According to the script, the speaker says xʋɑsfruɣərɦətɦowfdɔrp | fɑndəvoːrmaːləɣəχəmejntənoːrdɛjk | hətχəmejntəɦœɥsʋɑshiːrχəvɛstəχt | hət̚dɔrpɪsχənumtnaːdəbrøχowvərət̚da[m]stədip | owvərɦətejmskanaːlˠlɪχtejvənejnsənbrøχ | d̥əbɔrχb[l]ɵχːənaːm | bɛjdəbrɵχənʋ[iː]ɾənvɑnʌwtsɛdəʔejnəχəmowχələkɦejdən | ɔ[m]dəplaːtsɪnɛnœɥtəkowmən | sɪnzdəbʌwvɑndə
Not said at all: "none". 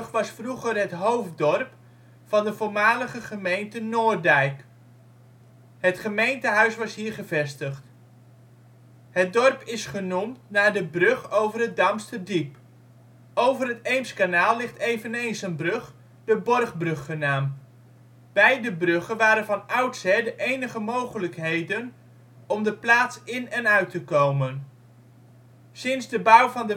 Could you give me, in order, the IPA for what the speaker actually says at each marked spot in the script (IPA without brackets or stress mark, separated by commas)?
m, r, aː, m